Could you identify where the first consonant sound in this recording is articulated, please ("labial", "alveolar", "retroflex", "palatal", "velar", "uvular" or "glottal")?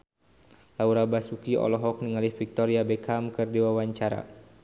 alveolar